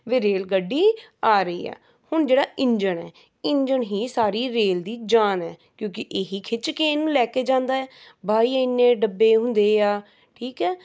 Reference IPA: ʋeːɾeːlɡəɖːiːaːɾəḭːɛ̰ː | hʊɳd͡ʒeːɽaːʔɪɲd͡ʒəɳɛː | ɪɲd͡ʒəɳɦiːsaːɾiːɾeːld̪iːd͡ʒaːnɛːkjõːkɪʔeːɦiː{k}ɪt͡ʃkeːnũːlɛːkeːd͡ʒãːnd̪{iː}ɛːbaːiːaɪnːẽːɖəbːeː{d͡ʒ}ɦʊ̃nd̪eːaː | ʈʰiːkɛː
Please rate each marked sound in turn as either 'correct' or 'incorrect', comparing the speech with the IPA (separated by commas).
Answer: incorrect, incorrect, incorrect